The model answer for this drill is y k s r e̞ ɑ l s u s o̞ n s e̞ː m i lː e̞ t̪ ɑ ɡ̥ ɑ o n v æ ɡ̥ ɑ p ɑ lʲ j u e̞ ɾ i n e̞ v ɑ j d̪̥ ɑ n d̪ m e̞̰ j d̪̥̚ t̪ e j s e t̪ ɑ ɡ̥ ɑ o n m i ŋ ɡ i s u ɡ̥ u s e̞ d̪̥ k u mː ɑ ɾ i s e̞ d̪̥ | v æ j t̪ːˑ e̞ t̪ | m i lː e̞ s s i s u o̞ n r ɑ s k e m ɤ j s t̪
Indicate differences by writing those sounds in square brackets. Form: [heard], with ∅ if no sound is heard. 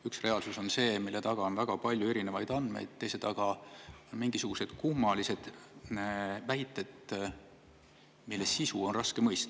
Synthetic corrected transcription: y k s r e̞ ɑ l s u s o̞ n s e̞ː m i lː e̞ t̪ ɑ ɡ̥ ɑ o n v æ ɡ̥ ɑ p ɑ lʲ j u e̞ ɾ i n e̞ v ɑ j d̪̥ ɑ n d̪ m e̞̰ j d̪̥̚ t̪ e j s e t̪ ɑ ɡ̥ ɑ o n m i ŋ ɡ i s u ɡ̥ u s e̞ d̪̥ k u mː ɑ [l] i s e̞ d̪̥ | v æ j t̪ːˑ e̞ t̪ | m i lː e̞ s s i s u o̞ n r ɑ s k e m ɤ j s t̪

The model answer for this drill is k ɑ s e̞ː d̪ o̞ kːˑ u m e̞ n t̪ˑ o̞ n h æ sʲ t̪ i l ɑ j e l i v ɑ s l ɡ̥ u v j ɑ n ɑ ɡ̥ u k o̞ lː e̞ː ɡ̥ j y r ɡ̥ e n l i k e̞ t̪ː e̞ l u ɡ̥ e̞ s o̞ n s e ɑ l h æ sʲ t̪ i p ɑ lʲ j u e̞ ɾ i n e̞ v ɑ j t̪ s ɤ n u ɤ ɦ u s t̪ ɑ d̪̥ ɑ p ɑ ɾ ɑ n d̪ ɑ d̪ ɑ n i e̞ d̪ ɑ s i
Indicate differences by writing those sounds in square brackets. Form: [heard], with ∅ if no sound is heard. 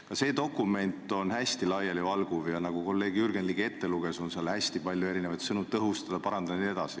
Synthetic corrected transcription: k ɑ s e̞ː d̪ o̞ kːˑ u m e̞ n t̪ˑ o̞ n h æ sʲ t̪ i l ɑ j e l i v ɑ [∅] l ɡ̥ u v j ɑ n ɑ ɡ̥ u k o̞ lː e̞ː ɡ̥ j y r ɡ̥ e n l i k e̞ t̪ː e̞ l u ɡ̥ e̞ s o̞ n s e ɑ l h æ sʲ t̪ i p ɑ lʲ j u e̞ ɾ i n e̞ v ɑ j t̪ s ɤ n u ɤ ɦ u s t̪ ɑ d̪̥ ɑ p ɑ ɾ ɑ n d̪ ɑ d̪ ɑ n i e̞ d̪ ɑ s i

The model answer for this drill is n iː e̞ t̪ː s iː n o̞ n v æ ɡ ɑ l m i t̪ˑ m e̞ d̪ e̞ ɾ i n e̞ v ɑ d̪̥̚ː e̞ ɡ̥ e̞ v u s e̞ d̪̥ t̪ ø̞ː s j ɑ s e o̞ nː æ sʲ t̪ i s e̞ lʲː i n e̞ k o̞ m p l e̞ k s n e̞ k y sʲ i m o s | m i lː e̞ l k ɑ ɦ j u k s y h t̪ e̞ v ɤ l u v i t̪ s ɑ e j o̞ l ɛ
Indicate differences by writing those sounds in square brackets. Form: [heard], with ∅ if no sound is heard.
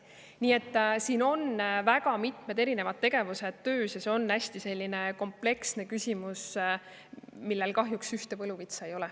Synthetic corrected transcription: n iː e̞ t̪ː s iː n o̞ n v æ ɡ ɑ [∅] m i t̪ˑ m e̞ d̪ e̞ ɾ i n e̞ v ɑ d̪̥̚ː e̞ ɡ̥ e̞ v u s e̞ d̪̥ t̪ ø̞ː s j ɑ s e o̞ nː æ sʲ t̪ i s e̞ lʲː i n e̞ k o̞ m p l e̞ k s n e̞ k y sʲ i m [u] s | m i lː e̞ l k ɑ ɦ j u k s y h t̪ e̞ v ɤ l u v i t̪ s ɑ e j o̞ l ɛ

